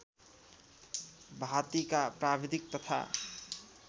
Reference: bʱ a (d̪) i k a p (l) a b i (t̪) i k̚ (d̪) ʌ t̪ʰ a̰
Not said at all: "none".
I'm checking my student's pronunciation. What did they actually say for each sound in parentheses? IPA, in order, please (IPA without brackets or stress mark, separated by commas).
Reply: t̪, ɾ, d̪, t̪